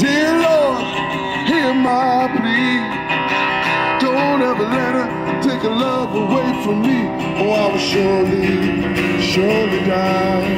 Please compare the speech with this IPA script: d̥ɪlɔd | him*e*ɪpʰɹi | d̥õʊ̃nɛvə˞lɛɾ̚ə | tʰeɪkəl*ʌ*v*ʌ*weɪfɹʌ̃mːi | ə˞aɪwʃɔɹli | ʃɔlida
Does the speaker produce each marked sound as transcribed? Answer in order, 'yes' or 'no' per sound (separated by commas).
no, yes, no